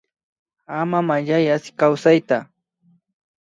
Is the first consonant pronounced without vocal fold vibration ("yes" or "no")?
no